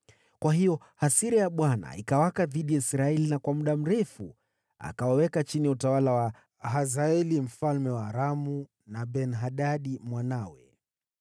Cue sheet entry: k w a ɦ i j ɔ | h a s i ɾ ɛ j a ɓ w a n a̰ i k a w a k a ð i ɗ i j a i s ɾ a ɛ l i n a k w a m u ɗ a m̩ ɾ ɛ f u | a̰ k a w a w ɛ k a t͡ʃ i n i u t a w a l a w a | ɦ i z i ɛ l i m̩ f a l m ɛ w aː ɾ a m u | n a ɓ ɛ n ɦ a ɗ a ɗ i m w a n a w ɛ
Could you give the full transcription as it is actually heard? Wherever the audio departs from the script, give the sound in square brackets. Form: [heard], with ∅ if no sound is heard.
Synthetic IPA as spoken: k w a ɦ i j ɔ | h a s i ɾ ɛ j a ɓ w a n a̰ i k a w a k a ð i ɗ i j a i s ɾ a ɛ l i n a k w a m u ɗ a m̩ ɾ ɛ f u | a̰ k a w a w ɛ k a t͡ʃ i n i u t a w a l a w a | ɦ [a] z [a] ɛ l i m̩ f a l m ɛ w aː ɾ a m u | n a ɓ ɛ n ɦ a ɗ a ɗ i m w a n a w ɛ